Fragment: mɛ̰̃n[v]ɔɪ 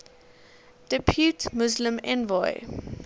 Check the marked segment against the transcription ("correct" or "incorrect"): correct